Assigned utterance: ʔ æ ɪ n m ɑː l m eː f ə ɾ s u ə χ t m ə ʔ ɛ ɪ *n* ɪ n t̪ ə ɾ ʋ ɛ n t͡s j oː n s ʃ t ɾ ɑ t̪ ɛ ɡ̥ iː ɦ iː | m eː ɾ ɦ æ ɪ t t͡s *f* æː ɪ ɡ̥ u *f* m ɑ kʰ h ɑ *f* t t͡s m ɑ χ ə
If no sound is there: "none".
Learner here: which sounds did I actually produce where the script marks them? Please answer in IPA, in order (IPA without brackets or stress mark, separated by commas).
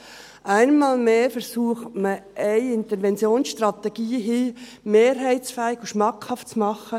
none, f, ʃ, f